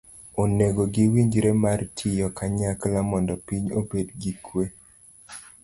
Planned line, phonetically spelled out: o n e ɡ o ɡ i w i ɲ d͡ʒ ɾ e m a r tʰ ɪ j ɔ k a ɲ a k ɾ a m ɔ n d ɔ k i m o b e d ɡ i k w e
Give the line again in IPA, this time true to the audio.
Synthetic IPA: o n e ɡ o ɡ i w i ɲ d͡ʒ ɾ e m a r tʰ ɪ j ɔ k a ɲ a k l a m ɔ n d ɔ p i ɲ o b e d ɡ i k w e